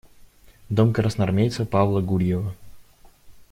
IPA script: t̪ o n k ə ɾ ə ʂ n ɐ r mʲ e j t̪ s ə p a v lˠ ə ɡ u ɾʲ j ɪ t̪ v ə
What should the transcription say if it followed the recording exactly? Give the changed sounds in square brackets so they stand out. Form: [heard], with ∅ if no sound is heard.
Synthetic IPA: [d̪] o [m] k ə ɾ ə [s] n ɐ r mʲ e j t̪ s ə p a v lˠ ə ɡ u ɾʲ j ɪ [∅] v ə